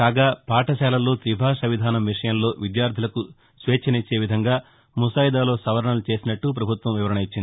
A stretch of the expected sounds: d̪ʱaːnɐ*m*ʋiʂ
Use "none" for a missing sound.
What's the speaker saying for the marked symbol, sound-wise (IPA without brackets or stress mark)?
m